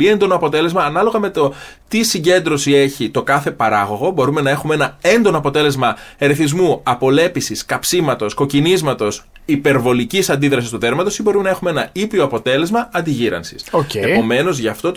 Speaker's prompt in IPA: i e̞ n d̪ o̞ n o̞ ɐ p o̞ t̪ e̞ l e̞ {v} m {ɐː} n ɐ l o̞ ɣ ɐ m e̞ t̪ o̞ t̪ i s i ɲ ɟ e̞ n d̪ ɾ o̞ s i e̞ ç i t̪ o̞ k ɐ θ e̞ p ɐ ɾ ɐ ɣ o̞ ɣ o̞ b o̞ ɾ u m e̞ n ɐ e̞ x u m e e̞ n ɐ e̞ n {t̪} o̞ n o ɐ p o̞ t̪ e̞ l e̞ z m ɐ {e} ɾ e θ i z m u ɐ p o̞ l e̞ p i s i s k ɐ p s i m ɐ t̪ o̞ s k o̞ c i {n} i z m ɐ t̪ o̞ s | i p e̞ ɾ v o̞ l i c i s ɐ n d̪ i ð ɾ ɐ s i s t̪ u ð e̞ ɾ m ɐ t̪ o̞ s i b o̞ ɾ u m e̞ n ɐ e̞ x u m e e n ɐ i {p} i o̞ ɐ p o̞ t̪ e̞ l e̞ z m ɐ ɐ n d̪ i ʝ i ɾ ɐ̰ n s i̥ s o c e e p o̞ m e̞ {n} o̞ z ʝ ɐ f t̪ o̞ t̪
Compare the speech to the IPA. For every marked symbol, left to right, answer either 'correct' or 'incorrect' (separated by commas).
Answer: incorrect, correct, incorrect, correct, correct, correct, correct